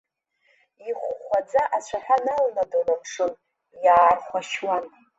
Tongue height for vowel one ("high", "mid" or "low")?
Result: high